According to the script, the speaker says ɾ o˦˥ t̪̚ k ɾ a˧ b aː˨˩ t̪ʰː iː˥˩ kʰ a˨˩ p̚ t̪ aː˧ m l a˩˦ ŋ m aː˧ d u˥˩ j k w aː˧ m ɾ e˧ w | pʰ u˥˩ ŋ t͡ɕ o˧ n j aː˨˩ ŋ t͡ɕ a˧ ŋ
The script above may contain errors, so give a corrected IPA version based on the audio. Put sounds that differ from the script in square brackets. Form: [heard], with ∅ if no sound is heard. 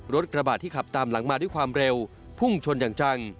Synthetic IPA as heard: ɾ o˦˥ t̪̚ k ɾ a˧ b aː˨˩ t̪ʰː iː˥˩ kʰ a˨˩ p̚ t̪ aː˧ m l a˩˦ ŋ m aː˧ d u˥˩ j k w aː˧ m ɾ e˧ w | pʰ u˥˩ ŋ [t͡ɕʰ] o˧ n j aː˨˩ ŋ t͡ɕ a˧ ŋ